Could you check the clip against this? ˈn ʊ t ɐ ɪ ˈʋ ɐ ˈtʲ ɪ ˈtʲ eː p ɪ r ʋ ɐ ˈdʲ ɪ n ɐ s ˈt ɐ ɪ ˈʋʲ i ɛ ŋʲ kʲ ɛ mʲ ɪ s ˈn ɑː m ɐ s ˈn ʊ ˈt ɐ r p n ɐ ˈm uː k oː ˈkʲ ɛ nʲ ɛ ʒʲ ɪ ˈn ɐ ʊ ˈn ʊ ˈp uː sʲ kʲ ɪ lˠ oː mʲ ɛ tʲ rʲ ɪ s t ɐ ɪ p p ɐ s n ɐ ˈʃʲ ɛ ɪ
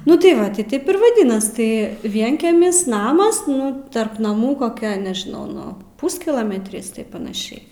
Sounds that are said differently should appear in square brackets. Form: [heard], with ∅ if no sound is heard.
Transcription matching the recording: ˈn ʊ t ɐ ɪ ˈʋ ɐ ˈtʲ ɪ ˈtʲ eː p ɪ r ʋ ɐ ˈdʲ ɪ n ɐ s ˈt ɐ ɪ ˈʋʲ i ɛ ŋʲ kʲ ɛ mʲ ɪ s ˈn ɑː m ɐ s ˈn ʊ ˈt ɐ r p n ɐ ˈm uː k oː ˈkʲ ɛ nʲ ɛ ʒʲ ɪ ˈn ɐ ʊ ˈn ʊ ˈp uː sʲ kʲ ɪ lˠ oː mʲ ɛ tʲ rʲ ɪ s t ɐ ɪ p p ɐ [∅] n ɐ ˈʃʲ ɛ ɪ

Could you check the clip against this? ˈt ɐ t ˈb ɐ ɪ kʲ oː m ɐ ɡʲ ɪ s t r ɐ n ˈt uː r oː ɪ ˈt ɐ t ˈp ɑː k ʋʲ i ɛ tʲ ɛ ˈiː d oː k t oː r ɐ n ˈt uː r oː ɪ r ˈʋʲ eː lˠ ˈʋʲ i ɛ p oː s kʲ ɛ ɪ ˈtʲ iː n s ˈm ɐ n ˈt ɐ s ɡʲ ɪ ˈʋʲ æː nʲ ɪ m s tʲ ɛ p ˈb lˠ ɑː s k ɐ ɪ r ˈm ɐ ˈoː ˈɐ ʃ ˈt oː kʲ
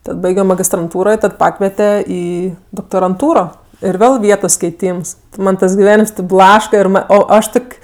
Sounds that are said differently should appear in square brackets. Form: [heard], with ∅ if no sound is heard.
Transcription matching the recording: ˈt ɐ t ˈb ɐ ɪ [ɡʲ] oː m ɐ ɡʲ ɪ s t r ɐ n ˈt uː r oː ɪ ˈt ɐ t ˈp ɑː k ʋʲ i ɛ tʲ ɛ ˈiː d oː k t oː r ɐ n ˈt uː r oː ɪ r ˈʋʲ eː lˠ ˈʋʲ i ɛ [t] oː s kʲ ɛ ɪ ˈtʲ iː [m] s ˈm ɐ n ˈt ɐ s ɡʲ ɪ ˈʋʲ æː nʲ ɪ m s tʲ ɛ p ˈb lˠ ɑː [ʃ] k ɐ ɪ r ˈm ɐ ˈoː ˈɐ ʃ ˈt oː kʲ

